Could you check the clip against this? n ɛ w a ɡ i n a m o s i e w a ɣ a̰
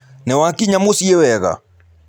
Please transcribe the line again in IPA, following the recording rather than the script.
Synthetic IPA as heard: n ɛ w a k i ɲ a m o s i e w ɛ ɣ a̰